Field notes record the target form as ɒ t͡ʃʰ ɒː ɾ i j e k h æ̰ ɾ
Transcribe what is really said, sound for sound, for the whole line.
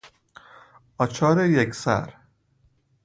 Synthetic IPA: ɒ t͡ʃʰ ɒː ɾ e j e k s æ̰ ɾ